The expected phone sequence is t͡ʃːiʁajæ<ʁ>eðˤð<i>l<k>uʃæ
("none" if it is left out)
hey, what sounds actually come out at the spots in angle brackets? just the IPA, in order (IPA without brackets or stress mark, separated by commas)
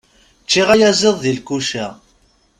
z, i, k